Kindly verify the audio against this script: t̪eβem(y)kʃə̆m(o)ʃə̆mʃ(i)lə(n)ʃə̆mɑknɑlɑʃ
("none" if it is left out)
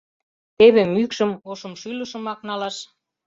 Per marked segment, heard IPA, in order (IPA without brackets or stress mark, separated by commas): y, o, y, none